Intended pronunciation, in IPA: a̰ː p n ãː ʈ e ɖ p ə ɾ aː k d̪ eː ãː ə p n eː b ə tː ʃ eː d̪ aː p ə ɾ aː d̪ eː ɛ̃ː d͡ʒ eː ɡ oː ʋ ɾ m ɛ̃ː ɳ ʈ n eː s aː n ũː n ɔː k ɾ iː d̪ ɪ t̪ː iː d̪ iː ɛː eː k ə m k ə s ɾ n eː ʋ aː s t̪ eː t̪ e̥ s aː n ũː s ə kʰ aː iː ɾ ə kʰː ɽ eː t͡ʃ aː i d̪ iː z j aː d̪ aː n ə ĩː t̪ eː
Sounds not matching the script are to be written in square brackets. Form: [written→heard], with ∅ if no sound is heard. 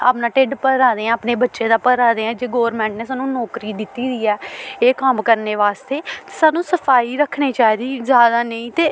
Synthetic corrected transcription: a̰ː p n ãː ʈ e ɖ p ə ɾ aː [k→∅] d̪ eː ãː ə p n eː b ə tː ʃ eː d̪ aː p ə ɾ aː d̪ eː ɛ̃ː d͡ʒ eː ɡ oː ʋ ɾ m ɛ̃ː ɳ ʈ n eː s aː n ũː n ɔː k ɾ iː d̪ ɪ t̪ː iː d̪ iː ɛː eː k ə m k ə [s→∅] ɾ n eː ʋ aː s t̪ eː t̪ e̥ s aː n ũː s ə [kʰ→pʰ] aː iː ɾ ə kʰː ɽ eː t͡ʃ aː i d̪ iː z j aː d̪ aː n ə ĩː t̪ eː